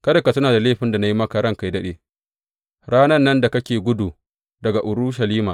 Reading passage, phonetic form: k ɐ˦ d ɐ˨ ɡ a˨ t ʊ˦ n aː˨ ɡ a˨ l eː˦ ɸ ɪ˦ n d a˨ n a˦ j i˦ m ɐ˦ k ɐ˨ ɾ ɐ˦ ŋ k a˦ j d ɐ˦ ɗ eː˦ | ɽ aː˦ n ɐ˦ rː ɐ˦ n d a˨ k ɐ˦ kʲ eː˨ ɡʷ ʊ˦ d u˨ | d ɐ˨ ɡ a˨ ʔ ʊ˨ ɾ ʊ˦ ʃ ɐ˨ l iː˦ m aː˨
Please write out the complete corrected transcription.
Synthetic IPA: k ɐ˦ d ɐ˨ k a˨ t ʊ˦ n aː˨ d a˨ l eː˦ ɸ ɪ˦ n d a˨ n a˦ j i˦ m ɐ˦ k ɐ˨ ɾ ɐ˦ ŋ k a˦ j d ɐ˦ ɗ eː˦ | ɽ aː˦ n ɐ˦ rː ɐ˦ n d a˨ k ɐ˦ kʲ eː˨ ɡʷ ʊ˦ d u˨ | d ɐ˨ ɡ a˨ ʔ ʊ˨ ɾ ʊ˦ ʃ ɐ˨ l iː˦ m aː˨